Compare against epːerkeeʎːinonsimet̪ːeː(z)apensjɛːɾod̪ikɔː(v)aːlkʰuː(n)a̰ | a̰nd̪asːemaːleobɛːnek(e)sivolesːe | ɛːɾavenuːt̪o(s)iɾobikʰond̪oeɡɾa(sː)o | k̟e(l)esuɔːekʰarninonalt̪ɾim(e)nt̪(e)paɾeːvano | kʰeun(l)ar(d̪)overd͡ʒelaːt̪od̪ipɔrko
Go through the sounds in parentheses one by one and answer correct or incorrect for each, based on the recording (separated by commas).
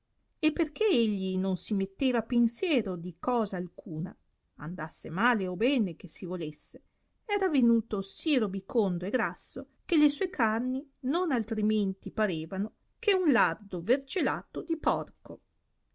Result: incorrect, incorrect, correct, correct, correct, correct, correct, correct, incorrect, correct, correct